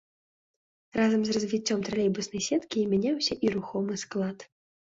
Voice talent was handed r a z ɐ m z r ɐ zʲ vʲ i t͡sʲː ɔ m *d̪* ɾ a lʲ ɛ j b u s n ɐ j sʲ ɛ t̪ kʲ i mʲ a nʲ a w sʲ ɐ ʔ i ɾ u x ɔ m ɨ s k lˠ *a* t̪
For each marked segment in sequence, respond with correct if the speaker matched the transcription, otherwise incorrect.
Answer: incorrect, correct

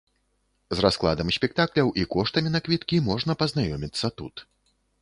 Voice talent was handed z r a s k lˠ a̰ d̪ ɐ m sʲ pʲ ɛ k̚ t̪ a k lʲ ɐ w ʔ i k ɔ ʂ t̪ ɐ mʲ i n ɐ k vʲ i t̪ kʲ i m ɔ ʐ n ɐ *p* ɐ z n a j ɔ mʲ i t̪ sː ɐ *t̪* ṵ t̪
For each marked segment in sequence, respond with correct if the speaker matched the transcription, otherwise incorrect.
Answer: correct, correct

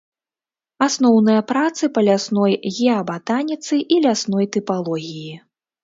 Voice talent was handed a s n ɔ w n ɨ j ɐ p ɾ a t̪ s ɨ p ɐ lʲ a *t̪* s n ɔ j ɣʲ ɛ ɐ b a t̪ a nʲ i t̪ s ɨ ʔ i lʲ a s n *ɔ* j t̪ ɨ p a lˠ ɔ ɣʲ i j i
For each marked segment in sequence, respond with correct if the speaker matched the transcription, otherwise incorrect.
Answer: incorrect, correct

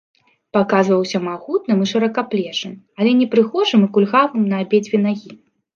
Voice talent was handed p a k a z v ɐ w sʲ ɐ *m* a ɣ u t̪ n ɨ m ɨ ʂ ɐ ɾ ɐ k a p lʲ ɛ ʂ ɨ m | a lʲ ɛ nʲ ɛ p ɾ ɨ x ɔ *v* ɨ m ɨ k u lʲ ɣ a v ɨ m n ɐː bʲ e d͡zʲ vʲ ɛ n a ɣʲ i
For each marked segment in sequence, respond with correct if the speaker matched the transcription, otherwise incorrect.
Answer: correct, incorrect

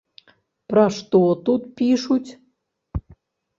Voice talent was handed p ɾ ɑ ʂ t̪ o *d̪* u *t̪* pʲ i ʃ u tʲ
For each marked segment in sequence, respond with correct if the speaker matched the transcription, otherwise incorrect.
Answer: incorrect, correct

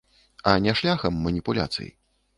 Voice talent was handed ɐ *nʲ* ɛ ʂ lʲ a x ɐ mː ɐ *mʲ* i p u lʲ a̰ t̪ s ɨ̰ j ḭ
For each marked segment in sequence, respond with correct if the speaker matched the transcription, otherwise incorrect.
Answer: correct, incorrect

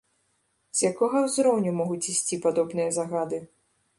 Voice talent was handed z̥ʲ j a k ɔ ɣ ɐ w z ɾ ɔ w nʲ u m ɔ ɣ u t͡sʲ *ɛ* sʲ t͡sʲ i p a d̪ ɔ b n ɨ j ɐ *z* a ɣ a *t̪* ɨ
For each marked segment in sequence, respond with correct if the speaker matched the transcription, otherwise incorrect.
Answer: incorrect, correct, incorrect

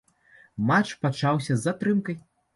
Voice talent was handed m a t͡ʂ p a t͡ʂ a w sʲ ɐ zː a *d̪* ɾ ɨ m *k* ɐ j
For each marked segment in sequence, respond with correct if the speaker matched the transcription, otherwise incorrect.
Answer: incorrect, correct

